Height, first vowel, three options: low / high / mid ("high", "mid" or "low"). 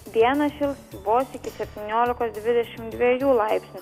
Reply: high